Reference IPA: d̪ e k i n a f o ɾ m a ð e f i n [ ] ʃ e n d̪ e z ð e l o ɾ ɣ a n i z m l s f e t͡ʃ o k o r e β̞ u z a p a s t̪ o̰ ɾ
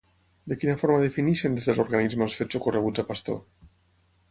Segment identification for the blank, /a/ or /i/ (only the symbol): i